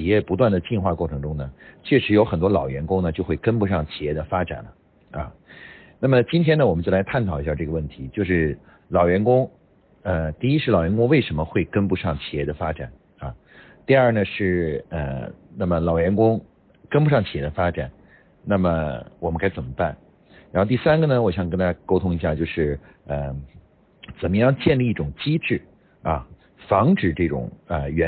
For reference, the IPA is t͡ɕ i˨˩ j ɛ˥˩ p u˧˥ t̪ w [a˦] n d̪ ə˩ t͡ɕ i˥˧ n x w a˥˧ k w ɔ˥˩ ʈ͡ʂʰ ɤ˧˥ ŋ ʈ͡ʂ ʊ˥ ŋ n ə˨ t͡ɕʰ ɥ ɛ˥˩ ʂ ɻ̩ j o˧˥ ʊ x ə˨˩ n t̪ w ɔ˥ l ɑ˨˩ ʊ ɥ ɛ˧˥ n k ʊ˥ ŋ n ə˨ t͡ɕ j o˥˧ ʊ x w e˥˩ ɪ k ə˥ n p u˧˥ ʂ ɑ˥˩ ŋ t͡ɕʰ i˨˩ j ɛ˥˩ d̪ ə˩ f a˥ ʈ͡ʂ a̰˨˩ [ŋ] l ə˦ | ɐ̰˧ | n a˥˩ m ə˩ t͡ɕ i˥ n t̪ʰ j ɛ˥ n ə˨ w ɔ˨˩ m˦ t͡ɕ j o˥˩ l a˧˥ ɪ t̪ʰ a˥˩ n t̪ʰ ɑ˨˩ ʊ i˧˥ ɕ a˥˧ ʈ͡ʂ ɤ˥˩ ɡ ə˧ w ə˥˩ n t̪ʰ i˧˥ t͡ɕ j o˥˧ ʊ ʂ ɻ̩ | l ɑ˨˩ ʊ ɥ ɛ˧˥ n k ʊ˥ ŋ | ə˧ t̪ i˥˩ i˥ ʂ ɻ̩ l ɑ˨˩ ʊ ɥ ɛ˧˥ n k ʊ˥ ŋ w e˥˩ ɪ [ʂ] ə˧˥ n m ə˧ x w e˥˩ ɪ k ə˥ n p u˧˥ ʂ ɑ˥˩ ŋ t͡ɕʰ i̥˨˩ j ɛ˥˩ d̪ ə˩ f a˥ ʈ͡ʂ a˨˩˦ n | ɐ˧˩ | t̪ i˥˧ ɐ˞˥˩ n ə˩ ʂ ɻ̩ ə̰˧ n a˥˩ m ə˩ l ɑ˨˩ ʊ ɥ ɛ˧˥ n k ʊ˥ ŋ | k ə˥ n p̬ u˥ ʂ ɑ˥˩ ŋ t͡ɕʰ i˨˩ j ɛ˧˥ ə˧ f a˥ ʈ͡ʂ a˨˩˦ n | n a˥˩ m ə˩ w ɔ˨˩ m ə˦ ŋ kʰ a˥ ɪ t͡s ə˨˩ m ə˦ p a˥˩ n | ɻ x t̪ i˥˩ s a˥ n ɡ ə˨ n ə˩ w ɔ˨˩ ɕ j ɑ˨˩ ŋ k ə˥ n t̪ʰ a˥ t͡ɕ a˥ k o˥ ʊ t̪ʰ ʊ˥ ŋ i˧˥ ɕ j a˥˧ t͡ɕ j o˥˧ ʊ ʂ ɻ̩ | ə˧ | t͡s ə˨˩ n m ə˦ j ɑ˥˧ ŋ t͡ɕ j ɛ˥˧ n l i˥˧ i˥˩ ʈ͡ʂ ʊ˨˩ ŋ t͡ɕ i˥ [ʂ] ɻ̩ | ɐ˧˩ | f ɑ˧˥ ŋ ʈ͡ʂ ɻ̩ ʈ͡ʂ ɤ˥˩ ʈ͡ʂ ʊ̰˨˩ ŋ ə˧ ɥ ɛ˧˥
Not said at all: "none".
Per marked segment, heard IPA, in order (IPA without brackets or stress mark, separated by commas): a˥˩, n, ʂ, ʈ͡ʂ